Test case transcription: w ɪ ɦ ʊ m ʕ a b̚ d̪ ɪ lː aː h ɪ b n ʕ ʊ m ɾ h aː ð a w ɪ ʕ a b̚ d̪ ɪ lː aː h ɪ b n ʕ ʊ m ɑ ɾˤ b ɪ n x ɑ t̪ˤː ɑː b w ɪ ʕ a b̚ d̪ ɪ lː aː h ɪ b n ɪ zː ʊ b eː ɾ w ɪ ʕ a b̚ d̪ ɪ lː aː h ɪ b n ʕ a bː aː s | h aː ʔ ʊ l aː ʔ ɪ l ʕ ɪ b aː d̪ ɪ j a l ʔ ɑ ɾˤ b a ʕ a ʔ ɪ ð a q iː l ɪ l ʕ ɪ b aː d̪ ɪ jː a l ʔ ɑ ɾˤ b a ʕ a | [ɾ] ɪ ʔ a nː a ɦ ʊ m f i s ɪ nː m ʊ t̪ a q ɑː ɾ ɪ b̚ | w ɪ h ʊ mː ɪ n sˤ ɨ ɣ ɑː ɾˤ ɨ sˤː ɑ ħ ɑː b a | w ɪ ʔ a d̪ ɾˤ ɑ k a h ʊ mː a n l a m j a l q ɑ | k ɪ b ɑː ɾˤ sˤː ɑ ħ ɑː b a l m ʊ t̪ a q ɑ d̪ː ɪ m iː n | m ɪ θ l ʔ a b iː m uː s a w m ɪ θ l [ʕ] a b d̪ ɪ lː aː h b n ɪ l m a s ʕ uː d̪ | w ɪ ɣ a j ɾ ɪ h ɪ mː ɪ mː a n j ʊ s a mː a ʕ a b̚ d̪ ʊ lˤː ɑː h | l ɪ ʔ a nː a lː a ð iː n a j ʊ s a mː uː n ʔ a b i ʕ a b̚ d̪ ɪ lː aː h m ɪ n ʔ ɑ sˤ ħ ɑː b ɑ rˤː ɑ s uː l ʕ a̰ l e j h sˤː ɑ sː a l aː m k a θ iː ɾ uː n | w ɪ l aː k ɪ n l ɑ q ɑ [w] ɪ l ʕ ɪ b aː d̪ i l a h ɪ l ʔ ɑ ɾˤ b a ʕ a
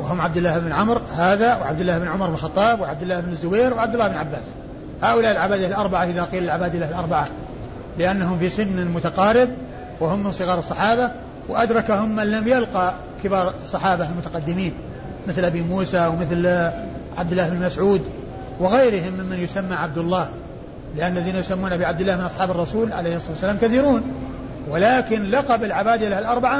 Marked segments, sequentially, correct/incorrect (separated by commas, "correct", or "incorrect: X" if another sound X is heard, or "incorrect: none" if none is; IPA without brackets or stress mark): incorrect: l, correct, incorrect: b